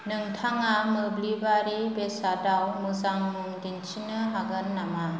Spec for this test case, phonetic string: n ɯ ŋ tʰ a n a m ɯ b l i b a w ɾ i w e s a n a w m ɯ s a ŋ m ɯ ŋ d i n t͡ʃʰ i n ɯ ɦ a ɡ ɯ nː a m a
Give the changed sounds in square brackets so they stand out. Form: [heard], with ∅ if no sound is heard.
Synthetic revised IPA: n ɯ ŋ tʰ a [ŋ] a m ɯ b l i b a [∅] ɾ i [b] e s a [d] a w m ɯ [z] a ŋ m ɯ ŋ d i n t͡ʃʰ i n ɯ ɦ a ɡ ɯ nː a m a